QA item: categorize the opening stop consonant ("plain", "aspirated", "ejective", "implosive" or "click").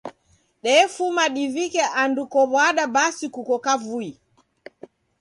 implosive